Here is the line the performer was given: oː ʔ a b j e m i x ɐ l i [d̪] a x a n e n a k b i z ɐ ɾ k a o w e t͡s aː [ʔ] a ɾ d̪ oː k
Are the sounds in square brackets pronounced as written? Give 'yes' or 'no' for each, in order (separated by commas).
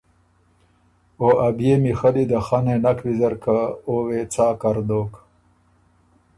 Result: yes, no